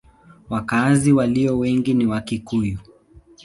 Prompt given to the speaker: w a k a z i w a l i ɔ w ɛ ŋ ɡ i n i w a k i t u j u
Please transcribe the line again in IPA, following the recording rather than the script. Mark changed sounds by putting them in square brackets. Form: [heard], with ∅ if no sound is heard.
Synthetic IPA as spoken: w a k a z i w a l i ɔ w ɛ ŋ ɡ i n i w a k i [k] u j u